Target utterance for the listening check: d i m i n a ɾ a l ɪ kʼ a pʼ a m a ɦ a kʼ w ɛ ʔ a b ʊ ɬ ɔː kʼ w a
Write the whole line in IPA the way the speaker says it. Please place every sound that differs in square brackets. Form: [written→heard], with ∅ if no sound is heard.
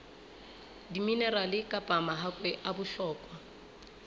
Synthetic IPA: d i m i n [a→ɛ] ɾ a l ɪ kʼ a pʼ a m a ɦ a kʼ w ɛ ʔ a b ʊ ɬ ɔː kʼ w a